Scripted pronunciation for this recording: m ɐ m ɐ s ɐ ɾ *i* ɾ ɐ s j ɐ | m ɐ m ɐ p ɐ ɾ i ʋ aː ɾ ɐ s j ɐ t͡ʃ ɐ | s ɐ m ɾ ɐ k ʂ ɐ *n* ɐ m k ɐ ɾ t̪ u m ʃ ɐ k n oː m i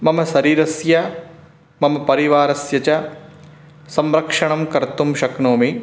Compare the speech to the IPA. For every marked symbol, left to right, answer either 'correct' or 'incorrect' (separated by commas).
incorrect, incorrect